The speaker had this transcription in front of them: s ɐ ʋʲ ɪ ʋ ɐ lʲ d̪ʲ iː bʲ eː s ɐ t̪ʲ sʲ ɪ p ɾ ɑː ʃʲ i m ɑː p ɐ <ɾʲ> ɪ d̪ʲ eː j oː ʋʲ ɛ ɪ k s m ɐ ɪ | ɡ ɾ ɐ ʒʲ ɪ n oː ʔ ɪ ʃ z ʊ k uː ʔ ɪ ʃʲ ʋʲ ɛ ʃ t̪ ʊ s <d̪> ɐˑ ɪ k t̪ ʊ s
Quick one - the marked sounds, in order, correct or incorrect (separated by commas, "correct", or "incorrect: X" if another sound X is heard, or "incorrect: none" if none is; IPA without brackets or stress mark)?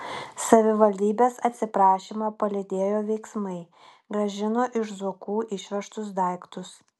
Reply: incorrect: lʲ, correct